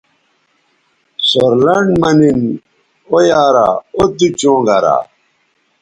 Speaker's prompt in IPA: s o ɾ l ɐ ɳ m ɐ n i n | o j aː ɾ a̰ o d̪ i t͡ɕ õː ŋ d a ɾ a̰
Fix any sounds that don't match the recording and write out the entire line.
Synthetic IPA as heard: s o ɾ l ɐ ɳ m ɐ n i n | o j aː ɾ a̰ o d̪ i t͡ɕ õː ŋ ɡ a ɾ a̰